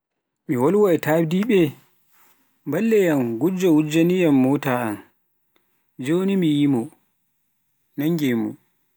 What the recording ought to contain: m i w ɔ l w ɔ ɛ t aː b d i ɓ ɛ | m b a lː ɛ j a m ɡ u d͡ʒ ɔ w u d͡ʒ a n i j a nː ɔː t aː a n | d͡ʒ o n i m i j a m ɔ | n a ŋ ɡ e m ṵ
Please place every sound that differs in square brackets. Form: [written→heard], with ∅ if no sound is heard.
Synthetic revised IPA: m i w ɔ l w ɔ ɛ t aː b d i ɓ ɛ | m b a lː ɛ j a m ɡ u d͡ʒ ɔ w u d͡ʒ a n i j a [nː→mː] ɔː t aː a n | d͡ʒ o n i m i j [a→i] m ɔ | n a ŋ ɡ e m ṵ